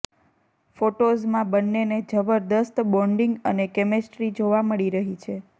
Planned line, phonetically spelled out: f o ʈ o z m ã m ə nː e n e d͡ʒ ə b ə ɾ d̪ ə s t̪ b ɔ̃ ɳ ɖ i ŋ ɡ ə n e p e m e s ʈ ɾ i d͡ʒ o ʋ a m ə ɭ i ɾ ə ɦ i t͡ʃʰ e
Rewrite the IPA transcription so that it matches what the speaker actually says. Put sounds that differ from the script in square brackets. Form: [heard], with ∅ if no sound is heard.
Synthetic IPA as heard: f o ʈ o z m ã [b] ə nː e n e d͡ʒ ə b ə ɾ d̪ ə s t̪ b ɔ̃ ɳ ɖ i ŋ ɡ ə n e [k] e m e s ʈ ɾ i d͡ʒ o ʋ a m ə ɭ i ɾ ə ɦ i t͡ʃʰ e